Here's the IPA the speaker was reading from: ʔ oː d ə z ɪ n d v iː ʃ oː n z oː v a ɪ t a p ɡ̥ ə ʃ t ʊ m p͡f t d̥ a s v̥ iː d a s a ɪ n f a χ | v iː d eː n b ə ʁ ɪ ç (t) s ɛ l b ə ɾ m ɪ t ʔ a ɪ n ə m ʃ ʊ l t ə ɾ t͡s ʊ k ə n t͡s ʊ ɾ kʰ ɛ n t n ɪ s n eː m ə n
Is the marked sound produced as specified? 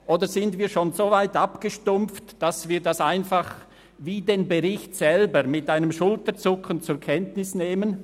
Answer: yes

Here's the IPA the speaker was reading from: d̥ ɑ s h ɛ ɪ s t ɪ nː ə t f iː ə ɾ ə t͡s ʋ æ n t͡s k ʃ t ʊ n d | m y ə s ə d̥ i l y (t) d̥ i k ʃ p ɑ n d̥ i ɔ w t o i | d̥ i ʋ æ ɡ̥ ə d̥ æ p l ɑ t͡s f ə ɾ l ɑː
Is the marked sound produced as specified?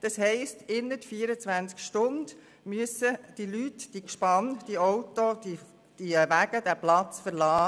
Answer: yes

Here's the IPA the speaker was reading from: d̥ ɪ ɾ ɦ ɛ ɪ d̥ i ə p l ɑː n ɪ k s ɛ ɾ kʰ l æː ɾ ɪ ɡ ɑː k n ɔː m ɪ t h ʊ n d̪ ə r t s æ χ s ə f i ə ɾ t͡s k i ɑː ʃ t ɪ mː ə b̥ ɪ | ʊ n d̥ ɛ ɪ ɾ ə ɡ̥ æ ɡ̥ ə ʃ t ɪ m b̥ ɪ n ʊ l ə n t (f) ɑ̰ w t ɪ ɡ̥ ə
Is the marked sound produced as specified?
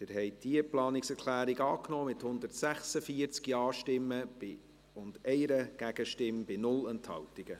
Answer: no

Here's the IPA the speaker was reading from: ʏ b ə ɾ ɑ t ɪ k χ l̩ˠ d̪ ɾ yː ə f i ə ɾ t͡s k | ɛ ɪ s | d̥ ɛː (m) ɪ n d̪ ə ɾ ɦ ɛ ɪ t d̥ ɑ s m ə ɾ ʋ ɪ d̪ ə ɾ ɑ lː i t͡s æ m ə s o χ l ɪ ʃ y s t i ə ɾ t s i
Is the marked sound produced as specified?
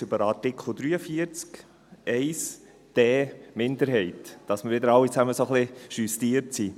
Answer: yes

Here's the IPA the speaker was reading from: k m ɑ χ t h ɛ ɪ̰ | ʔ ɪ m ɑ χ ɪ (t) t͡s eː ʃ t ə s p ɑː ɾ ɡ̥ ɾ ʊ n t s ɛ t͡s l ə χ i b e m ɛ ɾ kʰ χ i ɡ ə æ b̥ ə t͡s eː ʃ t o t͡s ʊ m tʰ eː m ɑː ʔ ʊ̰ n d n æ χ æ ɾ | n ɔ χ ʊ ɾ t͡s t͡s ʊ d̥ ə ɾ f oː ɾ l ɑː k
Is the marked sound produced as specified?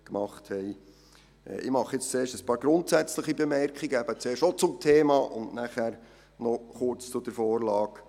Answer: no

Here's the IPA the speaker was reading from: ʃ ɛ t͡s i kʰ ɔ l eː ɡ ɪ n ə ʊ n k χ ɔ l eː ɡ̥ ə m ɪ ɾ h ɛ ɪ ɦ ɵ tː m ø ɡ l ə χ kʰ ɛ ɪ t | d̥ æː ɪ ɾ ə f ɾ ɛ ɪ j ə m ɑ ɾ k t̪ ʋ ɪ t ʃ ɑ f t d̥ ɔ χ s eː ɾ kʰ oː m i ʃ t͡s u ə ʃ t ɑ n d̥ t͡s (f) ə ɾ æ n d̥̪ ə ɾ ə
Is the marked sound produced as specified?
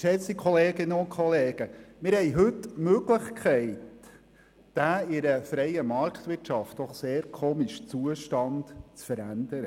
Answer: yes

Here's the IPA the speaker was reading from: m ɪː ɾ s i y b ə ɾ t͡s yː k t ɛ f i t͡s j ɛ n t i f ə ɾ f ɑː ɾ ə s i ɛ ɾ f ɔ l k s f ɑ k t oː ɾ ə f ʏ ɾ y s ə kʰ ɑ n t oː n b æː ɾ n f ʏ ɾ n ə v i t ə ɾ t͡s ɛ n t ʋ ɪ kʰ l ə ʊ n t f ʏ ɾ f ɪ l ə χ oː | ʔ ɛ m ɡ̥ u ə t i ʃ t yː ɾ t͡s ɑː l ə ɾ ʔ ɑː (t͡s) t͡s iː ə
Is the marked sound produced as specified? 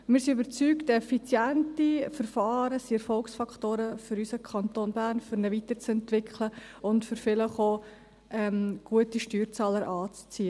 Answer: yes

